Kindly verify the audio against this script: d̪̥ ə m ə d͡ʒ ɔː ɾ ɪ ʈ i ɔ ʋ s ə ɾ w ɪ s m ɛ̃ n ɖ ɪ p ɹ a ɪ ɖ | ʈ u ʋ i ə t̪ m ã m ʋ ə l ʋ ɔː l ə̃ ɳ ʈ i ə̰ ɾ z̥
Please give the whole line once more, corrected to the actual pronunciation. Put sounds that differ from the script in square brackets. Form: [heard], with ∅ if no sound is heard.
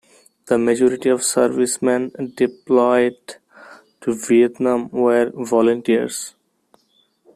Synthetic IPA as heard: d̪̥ ə m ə d͡ʒ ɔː ɾ ɪ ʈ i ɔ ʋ s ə ɾ [ʋ] ɪ s m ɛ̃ n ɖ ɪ p [l] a ɪ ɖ | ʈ u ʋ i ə t̪ [n] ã m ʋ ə [ɾ] ʋ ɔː l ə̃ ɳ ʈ i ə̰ ɾ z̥